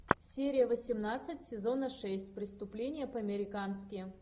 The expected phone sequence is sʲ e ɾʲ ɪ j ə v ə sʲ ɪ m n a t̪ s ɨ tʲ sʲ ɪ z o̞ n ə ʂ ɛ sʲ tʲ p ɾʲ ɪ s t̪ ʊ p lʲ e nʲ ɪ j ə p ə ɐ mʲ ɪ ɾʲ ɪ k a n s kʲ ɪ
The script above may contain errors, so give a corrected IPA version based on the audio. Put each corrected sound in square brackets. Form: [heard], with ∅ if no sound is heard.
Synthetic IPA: sʲ e ɾʲ ɪ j ə v ə sʲ ɪ m n a t̪ s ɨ tʲ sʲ ɪ z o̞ n ə ʂ ɛ sʲ tʲ p ɾʲ ɪ s t̪ ʊ p lʲ e nʲ ɪ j ə p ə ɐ mʲ ɪ ɾʲ ɪ k a n s kʲ ɪ